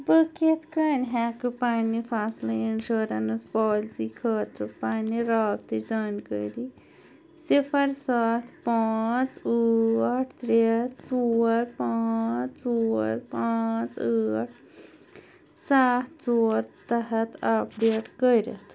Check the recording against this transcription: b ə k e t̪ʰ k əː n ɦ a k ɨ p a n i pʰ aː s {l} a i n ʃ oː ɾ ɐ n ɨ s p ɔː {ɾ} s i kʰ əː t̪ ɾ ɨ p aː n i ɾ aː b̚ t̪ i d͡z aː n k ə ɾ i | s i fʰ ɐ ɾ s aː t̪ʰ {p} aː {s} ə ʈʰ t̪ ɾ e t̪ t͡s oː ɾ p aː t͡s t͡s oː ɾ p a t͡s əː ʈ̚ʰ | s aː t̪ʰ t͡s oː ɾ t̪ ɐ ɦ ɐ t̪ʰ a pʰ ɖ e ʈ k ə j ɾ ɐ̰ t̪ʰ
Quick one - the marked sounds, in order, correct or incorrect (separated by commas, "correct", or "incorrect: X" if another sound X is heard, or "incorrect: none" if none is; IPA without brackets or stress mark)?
correct, incorrect: l, correct, incorrect: t͡s